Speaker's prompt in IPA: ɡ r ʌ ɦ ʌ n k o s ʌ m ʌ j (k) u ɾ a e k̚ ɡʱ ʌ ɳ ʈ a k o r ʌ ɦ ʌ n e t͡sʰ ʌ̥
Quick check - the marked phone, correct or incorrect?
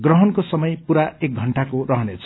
incorrect